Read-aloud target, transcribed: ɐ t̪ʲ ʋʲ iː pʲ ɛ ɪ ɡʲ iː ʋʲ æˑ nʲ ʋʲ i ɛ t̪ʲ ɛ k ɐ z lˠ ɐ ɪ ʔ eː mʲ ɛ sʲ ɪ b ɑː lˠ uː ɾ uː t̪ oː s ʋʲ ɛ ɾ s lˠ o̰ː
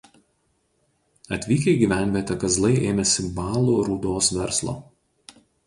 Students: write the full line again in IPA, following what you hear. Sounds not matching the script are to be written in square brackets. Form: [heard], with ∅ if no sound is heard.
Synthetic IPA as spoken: ɐ t̪ʲ ʋʲ iː [kʲ] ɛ ɪ ɡʲ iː ʋʲ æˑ nʲ ʋʲ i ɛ t̪ʲ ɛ k ɐ z lˠ ɐ ɪ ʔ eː mʲ ɛ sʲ ɪ b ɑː lˠ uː ɾ uː [d̪] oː s ʋʲ ɛ ɾ s lˠ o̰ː